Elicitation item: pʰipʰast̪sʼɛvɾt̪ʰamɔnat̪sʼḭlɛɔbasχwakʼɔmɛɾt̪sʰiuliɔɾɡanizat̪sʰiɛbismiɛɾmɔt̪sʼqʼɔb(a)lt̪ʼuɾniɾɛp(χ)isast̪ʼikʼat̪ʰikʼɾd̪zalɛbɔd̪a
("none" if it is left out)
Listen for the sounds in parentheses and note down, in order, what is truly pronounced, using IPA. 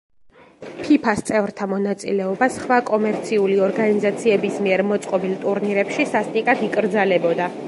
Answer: i, ʃ

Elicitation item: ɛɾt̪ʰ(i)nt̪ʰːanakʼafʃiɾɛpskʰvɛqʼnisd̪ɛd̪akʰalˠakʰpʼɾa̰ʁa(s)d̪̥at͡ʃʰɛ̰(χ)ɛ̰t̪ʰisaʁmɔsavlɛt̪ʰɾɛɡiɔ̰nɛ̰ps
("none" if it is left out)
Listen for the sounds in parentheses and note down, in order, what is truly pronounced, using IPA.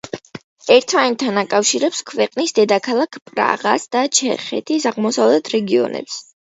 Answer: a, s, χ

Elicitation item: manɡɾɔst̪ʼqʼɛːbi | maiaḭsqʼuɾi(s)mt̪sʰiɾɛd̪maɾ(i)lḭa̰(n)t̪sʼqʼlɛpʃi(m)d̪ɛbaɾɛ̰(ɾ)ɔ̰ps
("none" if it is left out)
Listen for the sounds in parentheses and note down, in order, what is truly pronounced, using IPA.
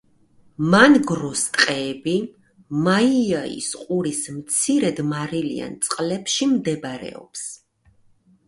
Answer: s, i, n, m, none

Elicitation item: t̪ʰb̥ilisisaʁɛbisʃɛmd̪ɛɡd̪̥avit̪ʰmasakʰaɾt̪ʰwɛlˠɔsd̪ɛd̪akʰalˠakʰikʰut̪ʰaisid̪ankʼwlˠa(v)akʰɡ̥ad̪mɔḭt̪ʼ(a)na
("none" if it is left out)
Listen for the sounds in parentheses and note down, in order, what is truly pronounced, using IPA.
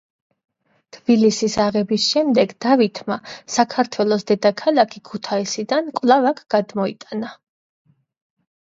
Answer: v, a

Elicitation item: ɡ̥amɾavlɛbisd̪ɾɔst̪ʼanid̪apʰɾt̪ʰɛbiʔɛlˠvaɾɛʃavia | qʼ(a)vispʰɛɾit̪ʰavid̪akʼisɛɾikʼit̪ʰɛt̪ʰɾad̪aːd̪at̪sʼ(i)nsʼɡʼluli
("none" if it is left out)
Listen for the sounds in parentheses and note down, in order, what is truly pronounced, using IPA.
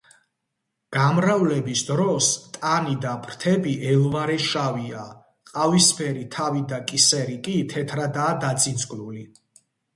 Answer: a, i

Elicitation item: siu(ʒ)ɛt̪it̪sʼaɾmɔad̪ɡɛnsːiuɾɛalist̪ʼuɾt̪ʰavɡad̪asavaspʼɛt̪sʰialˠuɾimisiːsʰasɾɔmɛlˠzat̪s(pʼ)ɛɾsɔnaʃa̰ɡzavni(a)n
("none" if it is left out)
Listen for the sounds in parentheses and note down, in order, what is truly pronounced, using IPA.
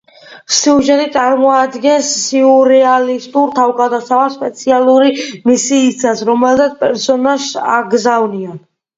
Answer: ʒ, pʼ, a

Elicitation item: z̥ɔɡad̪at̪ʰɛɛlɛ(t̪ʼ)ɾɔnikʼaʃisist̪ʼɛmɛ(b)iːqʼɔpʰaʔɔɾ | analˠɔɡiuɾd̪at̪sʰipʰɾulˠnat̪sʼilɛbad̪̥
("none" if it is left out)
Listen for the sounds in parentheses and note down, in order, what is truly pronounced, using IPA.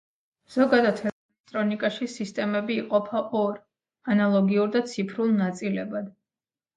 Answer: t̪ʼ, b

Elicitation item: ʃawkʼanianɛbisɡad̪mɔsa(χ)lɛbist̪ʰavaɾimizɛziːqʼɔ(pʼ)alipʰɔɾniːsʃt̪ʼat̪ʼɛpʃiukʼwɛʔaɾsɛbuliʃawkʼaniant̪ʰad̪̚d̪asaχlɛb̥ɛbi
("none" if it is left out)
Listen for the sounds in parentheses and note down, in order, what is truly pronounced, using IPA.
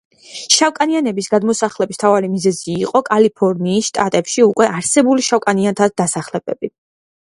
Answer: χ, kʼ

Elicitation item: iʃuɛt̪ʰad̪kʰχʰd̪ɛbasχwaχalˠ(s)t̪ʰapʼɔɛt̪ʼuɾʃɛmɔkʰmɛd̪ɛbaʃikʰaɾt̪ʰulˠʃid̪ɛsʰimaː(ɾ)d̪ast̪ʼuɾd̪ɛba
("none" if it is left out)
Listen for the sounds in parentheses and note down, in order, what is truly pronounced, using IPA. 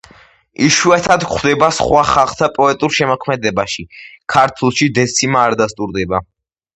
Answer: χ, ɾ

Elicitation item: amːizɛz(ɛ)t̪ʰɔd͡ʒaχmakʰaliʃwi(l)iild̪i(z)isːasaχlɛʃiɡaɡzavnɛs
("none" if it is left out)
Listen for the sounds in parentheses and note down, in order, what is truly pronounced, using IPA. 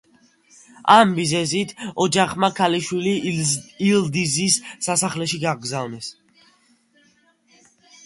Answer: i, l, z

